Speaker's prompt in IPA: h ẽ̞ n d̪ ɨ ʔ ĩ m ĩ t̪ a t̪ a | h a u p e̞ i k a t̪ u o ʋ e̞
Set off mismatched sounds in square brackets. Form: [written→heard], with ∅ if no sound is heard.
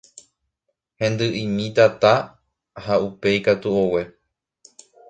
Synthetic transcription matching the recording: h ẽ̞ n d̪ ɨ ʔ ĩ m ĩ t̪ a t̪ a | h a u p e̞ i k a t̪ u o [ʋ→w] e̞